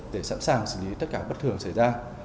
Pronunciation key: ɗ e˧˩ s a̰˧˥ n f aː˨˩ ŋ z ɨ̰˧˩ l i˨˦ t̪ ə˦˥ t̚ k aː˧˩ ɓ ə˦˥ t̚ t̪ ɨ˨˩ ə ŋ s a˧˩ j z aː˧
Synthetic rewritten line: ɗ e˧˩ s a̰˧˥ n s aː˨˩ ŋ s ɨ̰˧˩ l i˨˦ t̪ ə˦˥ t̚ k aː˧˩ ɓ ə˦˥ t̚ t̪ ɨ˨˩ ə ŋ s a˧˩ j z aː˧